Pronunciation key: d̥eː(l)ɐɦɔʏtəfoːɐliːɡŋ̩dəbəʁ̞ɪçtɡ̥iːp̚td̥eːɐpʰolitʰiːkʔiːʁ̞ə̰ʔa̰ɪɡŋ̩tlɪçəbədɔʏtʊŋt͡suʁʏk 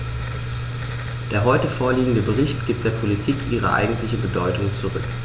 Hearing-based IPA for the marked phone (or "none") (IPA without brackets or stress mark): none